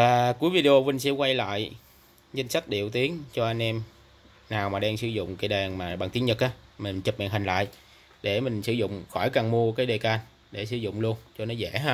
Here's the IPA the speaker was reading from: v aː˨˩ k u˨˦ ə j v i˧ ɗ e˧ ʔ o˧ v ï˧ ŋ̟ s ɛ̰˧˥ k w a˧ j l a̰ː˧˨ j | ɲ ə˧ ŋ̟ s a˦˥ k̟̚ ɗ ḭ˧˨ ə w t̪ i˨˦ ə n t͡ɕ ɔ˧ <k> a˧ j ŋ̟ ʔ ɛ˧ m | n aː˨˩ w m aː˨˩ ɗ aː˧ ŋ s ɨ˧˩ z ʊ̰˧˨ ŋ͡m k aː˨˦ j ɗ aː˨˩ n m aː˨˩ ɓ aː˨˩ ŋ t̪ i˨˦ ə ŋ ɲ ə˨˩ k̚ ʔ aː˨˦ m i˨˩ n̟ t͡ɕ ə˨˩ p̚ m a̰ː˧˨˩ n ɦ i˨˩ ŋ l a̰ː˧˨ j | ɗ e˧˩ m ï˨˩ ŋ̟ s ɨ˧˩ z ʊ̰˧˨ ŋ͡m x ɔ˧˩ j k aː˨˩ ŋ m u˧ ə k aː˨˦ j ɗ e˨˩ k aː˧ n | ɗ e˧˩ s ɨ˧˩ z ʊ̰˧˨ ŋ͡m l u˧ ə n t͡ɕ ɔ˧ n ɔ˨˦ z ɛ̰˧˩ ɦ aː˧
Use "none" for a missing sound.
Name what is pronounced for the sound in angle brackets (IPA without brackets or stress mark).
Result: ʔ